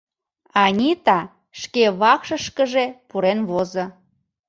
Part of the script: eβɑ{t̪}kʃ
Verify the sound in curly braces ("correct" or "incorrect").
incorrect